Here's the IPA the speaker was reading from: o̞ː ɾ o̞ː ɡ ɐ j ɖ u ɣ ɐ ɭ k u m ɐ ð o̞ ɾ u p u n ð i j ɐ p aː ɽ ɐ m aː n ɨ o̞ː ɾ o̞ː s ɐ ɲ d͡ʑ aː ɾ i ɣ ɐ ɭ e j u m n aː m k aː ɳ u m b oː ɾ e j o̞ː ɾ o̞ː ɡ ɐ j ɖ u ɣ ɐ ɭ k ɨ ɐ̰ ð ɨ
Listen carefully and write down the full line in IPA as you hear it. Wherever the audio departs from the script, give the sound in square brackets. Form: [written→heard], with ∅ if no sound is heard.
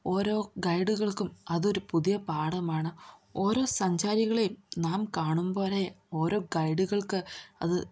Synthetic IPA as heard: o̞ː ɾ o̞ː ɡ ɐ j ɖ u ɣ ɐ ɭ k u m ɐ ð o̞ ɾ u p u [n→∅] ð i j ɐ p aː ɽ ɐ m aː [n→ɳ] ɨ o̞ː ɾ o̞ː s ɐ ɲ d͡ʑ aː ɾ i ɣ ɐ ɭ e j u m n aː m k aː ɳ u m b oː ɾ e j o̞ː ɾ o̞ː ɡ ɐ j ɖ u ɣ ɐ ɭ k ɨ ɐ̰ ð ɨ